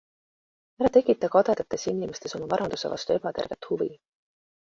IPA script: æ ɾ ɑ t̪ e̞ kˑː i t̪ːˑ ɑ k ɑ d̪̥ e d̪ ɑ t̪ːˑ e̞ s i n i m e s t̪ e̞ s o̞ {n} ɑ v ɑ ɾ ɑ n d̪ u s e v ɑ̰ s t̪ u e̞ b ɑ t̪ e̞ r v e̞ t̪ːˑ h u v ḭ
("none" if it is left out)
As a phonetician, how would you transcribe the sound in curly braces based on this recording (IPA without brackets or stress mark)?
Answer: m